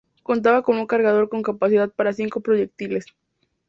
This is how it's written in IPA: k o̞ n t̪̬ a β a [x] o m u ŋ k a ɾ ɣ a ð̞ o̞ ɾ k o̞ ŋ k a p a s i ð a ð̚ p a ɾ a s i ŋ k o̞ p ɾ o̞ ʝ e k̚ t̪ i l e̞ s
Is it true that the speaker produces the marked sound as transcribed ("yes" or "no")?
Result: no